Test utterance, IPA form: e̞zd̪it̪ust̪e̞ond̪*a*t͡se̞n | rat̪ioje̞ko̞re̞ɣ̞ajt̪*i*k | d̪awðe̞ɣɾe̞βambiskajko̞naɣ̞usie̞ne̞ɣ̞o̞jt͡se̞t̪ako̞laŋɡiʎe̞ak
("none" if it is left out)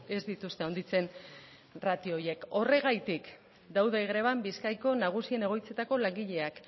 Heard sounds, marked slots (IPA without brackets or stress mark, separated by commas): i, i